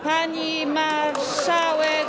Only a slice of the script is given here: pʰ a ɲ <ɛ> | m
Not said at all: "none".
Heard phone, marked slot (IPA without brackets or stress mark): i